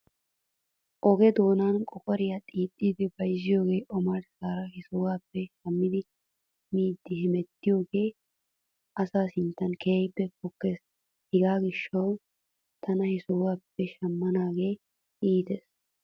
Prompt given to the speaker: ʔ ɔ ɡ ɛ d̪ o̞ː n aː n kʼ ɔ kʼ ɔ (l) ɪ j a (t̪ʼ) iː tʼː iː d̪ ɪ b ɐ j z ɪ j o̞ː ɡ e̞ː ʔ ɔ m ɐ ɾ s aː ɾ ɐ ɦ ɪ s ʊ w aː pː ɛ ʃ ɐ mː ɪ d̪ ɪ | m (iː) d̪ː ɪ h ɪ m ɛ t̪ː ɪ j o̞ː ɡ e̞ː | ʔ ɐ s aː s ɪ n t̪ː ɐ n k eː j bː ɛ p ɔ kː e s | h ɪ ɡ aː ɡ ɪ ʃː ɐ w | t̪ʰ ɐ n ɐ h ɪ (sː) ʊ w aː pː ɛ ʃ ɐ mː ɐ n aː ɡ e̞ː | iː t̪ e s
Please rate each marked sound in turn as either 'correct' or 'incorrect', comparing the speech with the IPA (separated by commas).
incorrect, correct, correct, incorrect